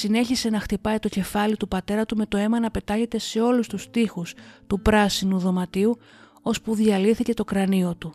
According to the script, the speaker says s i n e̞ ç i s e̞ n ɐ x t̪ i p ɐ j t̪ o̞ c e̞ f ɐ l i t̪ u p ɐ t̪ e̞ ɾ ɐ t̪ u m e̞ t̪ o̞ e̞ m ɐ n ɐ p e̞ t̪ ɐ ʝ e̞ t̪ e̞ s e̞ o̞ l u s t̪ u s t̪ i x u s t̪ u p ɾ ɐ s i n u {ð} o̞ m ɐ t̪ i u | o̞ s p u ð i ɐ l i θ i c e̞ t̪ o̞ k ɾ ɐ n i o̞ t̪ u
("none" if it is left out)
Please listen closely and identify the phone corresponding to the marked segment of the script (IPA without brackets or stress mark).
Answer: ð